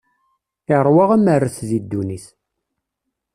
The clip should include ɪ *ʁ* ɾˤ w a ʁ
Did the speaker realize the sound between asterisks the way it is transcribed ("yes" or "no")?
yes